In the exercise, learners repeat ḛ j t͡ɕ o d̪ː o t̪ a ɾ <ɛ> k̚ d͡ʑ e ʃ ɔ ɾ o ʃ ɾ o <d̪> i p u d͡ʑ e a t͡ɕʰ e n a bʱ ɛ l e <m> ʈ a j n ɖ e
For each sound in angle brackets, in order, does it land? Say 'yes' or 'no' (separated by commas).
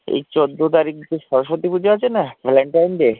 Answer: no, no, no